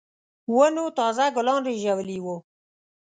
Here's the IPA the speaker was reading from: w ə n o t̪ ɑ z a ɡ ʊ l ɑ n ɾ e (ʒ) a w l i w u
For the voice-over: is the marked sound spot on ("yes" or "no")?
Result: yes